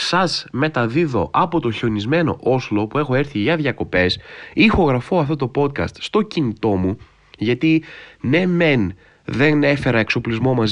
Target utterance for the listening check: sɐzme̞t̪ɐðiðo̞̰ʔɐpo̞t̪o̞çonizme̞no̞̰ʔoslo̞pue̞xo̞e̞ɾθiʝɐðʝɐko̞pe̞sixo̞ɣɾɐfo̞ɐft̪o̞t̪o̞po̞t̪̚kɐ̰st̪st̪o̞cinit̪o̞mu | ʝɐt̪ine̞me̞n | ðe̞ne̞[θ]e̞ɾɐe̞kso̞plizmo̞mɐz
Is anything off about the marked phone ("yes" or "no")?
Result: yes